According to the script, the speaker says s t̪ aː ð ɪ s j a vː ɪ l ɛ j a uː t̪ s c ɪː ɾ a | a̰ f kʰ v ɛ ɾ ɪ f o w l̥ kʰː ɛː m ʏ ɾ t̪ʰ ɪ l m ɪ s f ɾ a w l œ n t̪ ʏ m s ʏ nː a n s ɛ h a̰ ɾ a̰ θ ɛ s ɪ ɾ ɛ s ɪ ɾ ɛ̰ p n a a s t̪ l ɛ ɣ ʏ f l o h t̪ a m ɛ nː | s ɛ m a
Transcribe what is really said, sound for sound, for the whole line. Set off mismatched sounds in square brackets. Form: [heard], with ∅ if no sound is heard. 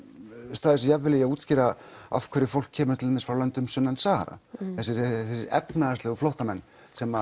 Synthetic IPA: s t̪ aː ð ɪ s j a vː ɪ l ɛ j a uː t̪ s c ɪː ɾ a | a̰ f kʰ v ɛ ɾ ɪ f o w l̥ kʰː ɛː m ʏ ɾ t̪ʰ ɪ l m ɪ s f ɾ a w l œ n t̪ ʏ m s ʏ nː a n s [a] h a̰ ɾ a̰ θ ɛ s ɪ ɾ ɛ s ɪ ɾ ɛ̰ p n a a s t̪ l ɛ ɣ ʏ f l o h t̪ a m ɛ nː | s ɛ m a